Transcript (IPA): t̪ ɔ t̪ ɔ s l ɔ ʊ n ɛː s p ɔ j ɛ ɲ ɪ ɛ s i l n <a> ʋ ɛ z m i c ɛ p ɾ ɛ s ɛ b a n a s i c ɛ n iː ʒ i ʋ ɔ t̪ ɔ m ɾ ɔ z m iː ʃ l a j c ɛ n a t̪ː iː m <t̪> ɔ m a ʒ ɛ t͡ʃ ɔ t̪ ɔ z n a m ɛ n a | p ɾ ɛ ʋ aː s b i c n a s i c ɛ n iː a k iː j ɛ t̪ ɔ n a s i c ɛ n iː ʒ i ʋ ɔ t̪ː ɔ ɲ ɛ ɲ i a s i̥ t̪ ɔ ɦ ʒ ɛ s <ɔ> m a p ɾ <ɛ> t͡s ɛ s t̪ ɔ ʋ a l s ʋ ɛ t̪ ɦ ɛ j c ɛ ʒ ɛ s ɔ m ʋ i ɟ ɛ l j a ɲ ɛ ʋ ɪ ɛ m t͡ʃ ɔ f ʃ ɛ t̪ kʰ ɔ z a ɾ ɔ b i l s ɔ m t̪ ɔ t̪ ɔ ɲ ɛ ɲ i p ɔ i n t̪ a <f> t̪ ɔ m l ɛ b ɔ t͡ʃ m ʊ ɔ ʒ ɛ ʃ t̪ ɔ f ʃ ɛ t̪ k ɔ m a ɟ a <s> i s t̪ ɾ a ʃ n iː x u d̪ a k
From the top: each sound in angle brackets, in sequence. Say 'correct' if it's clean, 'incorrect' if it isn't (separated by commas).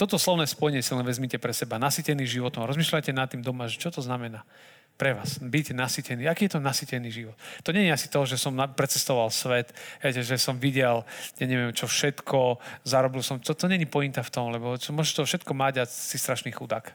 incorrect, incorrect, correct, correct, correct, correct